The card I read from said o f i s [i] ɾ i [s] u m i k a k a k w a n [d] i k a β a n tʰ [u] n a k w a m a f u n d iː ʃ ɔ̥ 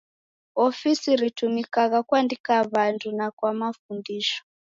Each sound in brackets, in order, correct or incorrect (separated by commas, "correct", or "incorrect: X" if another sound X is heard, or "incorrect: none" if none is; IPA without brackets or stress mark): correct, incorrect: t, correct, correct